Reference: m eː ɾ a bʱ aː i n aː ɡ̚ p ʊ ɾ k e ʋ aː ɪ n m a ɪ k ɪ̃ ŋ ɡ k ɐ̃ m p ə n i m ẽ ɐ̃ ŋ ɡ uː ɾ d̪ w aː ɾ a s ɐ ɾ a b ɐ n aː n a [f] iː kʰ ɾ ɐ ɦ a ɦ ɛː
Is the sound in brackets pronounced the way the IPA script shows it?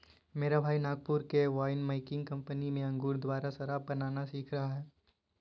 no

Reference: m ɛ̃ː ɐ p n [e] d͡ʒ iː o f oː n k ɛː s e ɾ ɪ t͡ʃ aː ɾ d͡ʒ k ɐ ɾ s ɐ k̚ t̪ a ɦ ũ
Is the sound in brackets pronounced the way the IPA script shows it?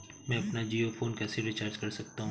no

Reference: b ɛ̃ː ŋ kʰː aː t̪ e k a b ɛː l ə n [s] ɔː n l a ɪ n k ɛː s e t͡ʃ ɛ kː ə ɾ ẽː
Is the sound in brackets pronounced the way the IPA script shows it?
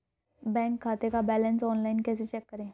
yes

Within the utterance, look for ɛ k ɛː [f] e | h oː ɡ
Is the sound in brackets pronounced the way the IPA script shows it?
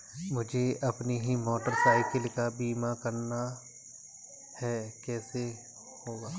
no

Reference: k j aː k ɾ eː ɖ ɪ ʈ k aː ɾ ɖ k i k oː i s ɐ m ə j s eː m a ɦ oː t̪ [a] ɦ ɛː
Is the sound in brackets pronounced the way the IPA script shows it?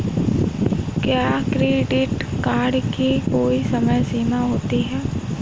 no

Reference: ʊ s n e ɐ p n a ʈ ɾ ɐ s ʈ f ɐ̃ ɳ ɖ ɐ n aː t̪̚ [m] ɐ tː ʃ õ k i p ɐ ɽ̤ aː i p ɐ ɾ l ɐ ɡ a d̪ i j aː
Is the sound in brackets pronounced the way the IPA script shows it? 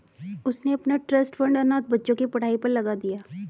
no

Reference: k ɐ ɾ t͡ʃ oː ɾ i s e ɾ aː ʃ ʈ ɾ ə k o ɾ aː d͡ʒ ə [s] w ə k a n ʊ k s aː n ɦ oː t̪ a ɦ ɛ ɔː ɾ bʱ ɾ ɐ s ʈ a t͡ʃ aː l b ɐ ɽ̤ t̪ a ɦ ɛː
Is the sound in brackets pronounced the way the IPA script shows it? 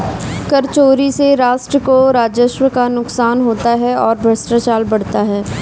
no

